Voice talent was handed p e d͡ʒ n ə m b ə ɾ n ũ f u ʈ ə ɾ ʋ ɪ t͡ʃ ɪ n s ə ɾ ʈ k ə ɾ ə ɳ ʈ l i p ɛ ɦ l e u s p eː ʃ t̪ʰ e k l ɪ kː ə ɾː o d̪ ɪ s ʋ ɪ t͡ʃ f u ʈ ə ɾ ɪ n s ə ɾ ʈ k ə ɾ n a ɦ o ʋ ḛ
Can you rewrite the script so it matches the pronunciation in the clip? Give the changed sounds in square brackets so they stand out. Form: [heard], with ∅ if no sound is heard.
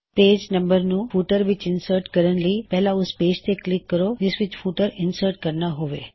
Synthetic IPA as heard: p e d͡ʒ n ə m b ə ɾ n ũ f u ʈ ə ɾ ʋ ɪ t͡ʃ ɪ n s ə ɾ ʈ k ə ɾ ə ɳ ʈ l i p ɛ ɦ l [a] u s p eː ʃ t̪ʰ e k l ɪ kː ə [ɾ] o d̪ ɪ s ʋ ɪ t͡ʃ f u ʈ ə ɾ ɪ n s ə ɾ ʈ k ə ɾ n a ɦ o ʋ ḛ